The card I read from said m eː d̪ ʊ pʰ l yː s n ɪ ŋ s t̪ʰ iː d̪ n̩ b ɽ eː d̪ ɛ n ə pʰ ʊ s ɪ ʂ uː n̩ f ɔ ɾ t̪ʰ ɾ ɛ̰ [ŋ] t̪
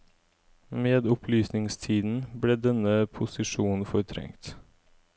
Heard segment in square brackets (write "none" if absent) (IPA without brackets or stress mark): ŋ